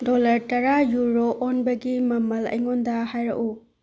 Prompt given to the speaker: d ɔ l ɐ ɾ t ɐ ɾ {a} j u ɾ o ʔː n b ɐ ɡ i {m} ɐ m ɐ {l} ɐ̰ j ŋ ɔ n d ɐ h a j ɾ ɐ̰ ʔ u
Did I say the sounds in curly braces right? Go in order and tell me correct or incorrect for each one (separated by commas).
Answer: correct, correct, correct